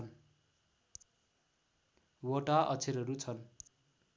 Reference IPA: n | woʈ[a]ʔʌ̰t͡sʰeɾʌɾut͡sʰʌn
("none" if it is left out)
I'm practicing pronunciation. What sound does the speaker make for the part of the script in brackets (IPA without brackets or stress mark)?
a